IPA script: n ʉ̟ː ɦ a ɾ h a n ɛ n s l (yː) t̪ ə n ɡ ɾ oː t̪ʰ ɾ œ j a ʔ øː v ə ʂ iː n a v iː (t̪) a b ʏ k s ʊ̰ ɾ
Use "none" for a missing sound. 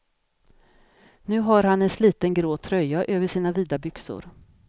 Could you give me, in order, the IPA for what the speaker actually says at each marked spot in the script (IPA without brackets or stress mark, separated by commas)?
iː, d̪